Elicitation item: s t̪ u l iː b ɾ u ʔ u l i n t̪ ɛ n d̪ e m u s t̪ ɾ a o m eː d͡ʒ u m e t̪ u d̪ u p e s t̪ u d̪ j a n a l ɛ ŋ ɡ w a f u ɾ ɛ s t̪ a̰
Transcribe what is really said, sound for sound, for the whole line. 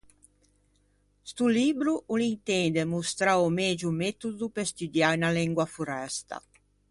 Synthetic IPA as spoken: s t̪ u l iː b ɾ u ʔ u l i n t̪ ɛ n d̪ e m u s t̪ ɾ a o m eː d͡ʒ u m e t̪ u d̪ u p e s t̪ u d̪ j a n a l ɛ ŋ ɡ w a f u ɾ ɛ s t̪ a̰

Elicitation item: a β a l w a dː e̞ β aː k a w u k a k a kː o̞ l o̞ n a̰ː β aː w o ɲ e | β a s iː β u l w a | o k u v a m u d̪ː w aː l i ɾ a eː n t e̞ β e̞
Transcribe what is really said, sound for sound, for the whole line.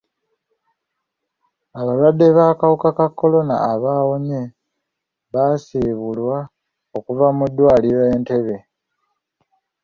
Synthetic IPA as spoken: a β a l w a dː e̞ β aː k a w u k a k a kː o̞ l o̞ n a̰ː β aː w o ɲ e | β a s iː β u l w a | o k u v a m u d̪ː w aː l i ɾ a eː n t e̞ β e̞

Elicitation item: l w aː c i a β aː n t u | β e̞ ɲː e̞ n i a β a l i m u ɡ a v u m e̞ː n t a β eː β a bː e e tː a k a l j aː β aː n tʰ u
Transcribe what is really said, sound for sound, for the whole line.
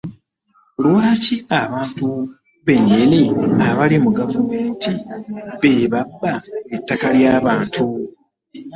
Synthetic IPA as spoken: l w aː c i a β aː n t u | β e̞ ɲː e̞ n i a β a l i m u ɡ a v u m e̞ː n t i β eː β a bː a e tː a k a l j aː β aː n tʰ u

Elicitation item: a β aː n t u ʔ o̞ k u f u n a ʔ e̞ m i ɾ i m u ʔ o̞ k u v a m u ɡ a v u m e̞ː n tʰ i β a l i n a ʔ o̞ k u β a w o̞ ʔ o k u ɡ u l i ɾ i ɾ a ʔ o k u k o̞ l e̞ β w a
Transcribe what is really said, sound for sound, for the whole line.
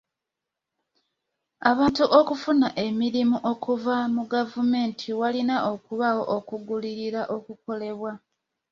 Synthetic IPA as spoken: a β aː n t u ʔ o̞ k u f u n a ʔ e̞ m i ɾ i m u ʔ o̞ k u v a m u ɡ a v u m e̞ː n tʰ i w a l i n a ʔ o̞ k u β a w o̞ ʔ o k u ɡ u l i ɾ i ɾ a ʔ o k u k o̞ l e̞ β w a

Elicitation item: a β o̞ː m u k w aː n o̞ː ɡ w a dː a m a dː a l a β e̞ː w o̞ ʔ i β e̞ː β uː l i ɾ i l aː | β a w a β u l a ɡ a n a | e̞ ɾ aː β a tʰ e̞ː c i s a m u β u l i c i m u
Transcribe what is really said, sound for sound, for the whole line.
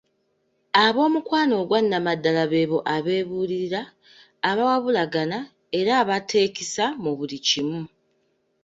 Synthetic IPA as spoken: a β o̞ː m u k w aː n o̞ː ɡ w a nː a m a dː a l a β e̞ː β o̞ ʔ a β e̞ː β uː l i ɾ i ɾ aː | β a w a β u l a ɡ a n a | e̞ ɾ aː β a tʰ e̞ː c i s a m u β u l i c i m u

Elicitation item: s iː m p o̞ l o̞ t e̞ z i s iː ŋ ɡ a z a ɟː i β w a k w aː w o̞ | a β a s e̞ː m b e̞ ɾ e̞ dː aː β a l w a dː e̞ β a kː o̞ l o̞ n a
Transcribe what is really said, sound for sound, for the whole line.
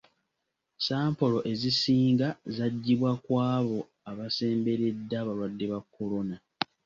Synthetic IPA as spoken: s aː m p o̞ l o̞ ʔ e̞ z i s iː ŋ ɡ a z a ɟː i β w a k w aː β o̞ | a β a s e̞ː m b e̞ ɾ e̞ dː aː β a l w a dː e̞ β a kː o̞ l o̞ n a

